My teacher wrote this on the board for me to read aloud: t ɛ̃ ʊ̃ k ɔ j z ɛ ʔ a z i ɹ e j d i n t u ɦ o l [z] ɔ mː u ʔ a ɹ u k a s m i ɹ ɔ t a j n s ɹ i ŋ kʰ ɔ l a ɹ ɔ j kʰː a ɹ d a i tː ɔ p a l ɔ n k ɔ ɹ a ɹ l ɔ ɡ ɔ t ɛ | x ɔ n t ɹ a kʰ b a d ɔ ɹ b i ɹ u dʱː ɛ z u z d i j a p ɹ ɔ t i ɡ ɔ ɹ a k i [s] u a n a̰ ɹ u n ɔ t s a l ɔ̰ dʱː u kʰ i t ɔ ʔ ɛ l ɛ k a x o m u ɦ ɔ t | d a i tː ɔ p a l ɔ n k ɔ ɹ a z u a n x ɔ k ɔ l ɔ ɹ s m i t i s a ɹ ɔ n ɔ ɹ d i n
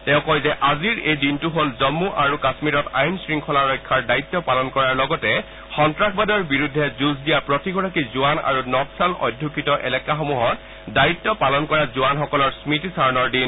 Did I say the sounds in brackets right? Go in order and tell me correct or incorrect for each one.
correct, incorrect: z

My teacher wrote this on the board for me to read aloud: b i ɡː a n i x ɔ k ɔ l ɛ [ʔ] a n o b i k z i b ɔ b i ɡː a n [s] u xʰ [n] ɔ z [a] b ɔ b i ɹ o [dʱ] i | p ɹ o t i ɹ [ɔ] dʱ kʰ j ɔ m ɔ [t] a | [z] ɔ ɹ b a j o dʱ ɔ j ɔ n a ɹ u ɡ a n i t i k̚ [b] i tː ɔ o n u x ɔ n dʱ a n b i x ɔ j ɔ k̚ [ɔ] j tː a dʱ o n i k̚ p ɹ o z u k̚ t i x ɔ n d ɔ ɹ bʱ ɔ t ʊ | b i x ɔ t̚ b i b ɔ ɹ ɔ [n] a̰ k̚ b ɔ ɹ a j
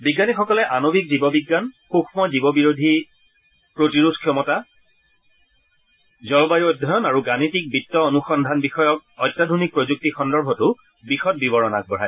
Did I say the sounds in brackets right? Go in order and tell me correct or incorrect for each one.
correct, incorrect: x, incorrect: m, incorrect: i, correct, incorrect: u, correct, correct, correct, correct, correct

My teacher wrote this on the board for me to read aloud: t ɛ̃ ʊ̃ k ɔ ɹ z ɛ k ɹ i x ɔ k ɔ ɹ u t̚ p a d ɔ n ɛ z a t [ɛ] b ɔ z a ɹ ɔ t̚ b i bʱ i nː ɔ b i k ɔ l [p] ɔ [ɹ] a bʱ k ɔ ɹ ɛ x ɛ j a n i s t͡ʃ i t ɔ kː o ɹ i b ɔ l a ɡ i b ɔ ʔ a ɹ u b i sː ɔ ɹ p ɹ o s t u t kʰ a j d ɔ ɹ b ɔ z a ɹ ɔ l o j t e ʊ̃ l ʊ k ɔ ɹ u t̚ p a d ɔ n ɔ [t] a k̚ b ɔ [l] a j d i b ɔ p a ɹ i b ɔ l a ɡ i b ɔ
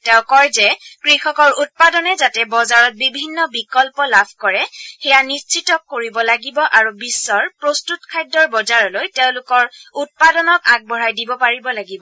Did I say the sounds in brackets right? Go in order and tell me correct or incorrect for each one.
correct, correct, incorrect: l, incorrect: k, incorrect: ɹ

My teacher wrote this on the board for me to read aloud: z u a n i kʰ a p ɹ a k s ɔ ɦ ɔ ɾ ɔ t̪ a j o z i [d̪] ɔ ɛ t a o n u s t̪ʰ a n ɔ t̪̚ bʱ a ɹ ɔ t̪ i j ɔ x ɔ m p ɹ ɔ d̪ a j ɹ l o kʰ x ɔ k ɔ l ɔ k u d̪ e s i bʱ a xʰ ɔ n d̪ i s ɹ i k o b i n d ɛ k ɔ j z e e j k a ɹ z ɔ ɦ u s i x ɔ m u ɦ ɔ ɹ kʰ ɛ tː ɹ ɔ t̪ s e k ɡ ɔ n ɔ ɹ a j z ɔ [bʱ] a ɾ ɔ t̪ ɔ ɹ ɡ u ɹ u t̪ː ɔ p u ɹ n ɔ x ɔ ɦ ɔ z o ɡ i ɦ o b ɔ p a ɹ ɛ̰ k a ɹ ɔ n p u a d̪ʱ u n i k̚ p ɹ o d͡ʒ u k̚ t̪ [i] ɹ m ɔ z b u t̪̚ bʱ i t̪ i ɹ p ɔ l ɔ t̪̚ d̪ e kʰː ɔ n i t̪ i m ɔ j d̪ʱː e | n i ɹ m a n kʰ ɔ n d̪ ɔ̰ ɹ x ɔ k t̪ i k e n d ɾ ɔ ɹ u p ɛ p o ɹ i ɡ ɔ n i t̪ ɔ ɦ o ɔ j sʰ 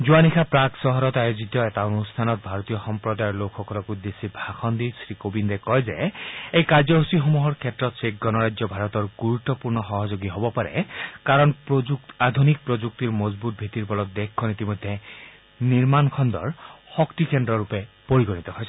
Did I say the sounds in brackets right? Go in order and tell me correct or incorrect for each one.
incorrect: t̪, correct, correct

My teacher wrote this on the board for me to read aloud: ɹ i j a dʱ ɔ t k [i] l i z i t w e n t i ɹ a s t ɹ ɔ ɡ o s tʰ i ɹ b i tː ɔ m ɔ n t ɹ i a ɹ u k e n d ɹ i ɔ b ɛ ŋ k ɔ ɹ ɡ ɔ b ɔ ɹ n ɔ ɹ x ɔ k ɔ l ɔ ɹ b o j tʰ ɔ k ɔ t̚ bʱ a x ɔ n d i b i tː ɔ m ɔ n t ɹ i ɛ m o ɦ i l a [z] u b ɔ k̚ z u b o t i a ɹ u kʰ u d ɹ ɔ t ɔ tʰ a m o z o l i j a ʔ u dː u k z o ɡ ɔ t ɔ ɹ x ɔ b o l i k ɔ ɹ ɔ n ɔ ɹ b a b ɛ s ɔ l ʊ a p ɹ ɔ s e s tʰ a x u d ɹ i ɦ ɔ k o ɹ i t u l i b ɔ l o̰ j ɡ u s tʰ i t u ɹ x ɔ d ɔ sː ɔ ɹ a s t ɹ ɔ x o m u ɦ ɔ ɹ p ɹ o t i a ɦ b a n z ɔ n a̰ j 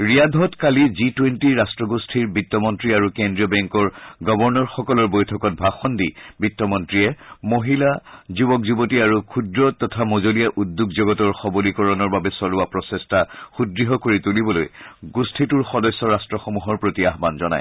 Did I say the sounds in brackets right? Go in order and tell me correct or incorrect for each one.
incorrect: a, correct

